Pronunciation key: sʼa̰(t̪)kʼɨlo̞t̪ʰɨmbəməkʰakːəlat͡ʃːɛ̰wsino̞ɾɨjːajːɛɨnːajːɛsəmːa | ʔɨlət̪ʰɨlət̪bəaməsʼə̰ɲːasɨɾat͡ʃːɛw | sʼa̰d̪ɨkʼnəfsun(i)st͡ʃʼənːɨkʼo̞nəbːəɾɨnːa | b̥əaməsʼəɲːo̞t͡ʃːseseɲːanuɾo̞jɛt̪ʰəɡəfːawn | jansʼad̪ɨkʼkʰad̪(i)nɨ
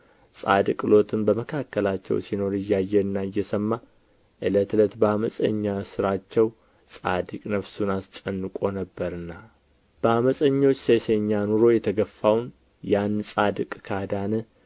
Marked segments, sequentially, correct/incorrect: incorrect: d̪, incorrect: a, incorrect: a

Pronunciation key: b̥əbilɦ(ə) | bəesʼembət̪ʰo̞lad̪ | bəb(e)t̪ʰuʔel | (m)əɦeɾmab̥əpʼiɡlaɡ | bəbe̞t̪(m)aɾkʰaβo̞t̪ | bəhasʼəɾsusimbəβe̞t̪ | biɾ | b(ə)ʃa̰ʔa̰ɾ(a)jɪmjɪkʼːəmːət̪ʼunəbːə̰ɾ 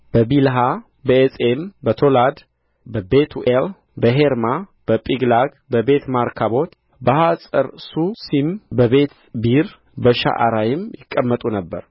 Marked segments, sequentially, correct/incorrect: incorrect: a, correct, incorrect: b, correct, correct, correct

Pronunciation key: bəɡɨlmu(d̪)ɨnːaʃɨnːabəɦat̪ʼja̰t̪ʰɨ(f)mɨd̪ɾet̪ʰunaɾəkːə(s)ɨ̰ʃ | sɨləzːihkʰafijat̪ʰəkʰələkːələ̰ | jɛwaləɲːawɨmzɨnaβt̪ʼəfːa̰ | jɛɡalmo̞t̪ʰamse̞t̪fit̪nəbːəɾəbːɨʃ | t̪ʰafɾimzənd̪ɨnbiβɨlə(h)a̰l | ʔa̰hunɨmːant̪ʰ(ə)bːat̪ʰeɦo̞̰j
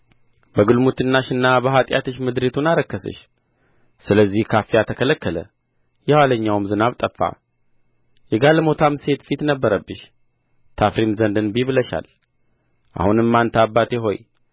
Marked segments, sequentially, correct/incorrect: incorrect: t̪, incorrect: ʃ, correct, incorrect: ʃ, incorrect: a

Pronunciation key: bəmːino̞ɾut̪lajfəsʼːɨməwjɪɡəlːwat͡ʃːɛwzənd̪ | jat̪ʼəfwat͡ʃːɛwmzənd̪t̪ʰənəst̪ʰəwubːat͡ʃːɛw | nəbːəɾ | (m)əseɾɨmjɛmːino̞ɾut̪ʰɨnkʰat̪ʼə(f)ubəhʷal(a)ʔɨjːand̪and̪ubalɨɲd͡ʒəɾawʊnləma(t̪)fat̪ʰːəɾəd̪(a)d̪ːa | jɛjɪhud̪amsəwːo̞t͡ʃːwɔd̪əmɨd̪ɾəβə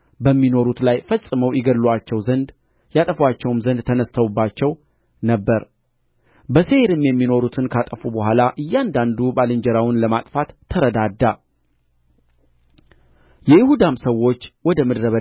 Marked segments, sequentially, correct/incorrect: incorrect: b, correct, correct, incorrect: t̪ʼ, correct

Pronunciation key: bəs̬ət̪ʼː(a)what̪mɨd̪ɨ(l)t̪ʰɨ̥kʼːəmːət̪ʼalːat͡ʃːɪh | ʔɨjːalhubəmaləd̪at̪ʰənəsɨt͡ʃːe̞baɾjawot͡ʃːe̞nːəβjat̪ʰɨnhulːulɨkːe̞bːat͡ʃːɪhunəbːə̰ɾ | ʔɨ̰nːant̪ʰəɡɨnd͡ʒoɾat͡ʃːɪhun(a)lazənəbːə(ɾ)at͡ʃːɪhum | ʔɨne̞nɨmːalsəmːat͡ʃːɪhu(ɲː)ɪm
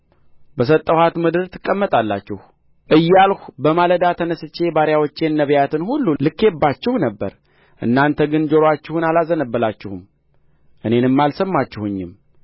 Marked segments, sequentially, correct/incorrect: incorrect: ə, incorrect: ɾ, correct, incorrect: l, correct

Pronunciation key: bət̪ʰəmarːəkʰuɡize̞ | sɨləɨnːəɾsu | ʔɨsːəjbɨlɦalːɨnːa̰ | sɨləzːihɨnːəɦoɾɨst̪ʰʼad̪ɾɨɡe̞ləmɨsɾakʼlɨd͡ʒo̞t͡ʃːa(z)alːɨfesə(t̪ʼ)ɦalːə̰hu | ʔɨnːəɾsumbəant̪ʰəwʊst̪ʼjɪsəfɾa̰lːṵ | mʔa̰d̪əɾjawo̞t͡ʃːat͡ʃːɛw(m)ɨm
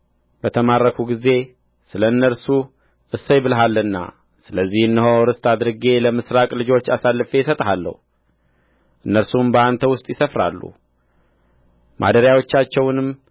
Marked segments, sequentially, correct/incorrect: incorrect: s, correct, incorrect: n

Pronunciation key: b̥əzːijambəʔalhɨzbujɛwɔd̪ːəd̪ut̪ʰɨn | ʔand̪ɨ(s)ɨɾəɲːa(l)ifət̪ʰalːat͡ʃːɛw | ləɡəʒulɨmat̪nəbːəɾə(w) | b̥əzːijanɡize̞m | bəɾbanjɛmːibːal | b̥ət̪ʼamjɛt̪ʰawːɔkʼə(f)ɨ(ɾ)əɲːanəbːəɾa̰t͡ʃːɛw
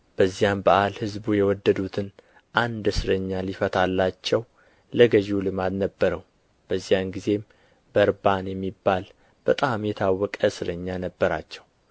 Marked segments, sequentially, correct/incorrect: correct, correct, correct, incorrect: s, correct

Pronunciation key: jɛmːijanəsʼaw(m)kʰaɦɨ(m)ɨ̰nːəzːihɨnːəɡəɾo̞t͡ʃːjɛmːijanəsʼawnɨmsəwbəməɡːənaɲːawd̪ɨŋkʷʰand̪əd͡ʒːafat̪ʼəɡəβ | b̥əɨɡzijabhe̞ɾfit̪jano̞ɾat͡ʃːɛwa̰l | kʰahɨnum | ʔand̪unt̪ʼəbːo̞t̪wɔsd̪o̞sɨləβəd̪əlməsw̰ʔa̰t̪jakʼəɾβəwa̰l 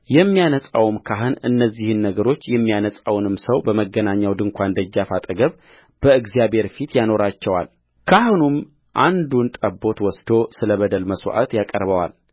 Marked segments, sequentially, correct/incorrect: correct, incorrect: n

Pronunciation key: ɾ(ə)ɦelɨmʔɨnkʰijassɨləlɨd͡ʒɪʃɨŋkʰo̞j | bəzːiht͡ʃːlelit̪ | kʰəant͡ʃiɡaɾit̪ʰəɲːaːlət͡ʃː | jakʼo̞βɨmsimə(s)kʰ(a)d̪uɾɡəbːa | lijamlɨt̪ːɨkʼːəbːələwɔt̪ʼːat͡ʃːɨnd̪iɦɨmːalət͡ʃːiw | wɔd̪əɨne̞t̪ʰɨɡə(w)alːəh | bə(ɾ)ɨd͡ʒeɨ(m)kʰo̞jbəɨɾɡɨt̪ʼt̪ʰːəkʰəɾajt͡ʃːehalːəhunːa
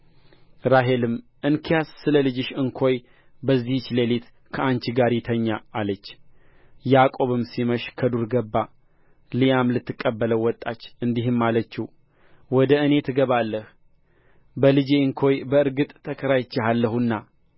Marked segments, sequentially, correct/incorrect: incorrect: a, incorrect: ʃ, incorrect: ə, incorrect: β, incorrect: l, incorrect: ŋ

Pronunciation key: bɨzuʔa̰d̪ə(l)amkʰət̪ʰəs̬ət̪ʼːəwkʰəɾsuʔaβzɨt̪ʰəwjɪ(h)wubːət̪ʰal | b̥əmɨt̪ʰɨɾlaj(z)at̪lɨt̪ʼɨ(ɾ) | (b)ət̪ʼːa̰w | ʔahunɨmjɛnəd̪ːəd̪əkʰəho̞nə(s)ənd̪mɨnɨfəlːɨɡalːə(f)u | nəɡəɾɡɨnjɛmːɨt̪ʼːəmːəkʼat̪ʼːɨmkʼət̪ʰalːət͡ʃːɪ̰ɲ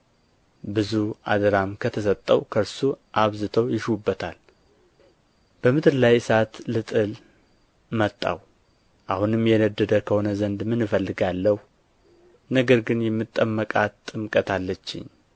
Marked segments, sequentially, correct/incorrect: incorrect: ɾ, incorrect: ʃ, incorrect: s, incorrect: l, incorrect: m, incorrect: z, incorrect: h

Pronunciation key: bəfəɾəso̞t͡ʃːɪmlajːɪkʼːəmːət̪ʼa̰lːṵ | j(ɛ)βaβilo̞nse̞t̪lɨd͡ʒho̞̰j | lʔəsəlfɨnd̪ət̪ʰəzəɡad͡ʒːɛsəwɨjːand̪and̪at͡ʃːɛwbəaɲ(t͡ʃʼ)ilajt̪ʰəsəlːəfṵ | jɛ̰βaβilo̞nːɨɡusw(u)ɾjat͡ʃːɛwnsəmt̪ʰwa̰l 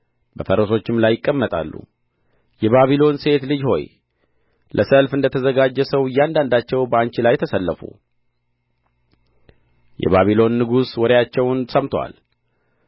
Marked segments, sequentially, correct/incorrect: correct, incorrect: t͡ʃ, incorrect: ɔ

